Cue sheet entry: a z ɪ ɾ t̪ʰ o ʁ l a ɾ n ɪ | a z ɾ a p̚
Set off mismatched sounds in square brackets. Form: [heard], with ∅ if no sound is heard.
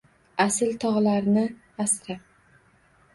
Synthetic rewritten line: a [s] ɪ [l] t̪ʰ [ɒ] ʁ l a ɾ n ɪ | a [s] ɾ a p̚